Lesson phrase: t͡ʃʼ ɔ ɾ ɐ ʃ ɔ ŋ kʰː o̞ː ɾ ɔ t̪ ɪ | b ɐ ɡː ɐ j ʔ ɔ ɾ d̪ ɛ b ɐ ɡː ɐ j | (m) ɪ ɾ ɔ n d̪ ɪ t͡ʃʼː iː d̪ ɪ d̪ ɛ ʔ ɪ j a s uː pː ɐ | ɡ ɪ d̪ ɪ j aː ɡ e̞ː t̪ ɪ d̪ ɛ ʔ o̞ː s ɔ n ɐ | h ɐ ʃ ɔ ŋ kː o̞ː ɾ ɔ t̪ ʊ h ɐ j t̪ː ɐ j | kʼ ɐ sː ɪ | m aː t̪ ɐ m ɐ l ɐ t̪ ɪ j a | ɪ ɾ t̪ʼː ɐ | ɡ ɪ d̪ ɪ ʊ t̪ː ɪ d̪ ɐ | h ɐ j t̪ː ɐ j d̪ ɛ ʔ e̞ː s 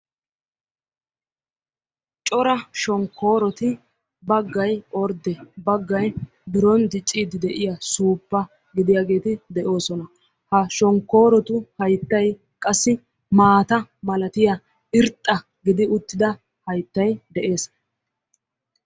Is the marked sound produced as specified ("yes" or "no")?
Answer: no